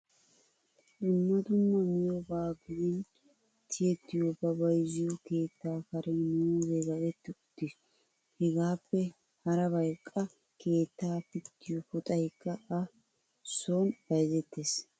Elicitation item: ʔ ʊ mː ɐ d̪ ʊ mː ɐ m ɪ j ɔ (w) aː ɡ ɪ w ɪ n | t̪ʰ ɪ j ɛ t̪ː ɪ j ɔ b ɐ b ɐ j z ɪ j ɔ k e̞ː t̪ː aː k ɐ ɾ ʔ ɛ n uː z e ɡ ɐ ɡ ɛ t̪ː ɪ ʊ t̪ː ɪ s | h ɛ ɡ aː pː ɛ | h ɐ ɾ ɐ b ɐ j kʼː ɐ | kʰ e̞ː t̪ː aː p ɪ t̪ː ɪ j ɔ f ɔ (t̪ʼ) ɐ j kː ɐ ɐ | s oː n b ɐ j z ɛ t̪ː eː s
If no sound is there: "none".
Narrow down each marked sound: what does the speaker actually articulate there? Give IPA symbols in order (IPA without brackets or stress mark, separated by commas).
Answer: b, t̪ʼ